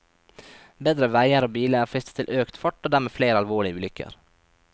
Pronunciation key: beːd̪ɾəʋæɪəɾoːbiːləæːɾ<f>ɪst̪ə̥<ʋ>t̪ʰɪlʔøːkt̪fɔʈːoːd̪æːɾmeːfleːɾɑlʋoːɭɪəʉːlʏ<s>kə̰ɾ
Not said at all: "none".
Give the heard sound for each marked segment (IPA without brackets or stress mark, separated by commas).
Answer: f, none, none